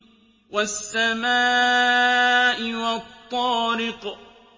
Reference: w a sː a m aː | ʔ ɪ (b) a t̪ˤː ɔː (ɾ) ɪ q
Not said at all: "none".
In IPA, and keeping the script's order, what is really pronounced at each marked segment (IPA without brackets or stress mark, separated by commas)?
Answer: w, ɾ